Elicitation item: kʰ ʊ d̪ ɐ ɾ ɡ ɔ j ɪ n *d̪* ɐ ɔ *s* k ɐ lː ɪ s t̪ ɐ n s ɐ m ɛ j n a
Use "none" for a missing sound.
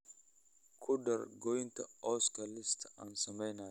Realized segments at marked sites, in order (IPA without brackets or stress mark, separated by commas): t̪, s